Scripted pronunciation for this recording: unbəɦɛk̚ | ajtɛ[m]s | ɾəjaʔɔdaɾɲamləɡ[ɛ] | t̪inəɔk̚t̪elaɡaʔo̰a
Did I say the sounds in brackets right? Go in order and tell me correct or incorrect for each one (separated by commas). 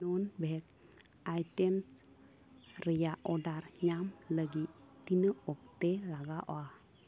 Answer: correct, incorrect